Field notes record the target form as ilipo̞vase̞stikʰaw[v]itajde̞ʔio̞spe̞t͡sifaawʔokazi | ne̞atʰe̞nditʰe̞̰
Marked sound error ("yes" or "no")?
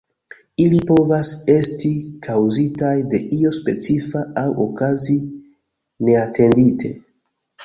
yes